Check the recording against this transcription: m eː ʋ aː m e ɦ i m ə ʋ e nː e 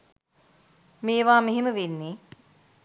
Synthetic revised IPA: m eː ʋ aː m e ɦ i m ə ʋ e nː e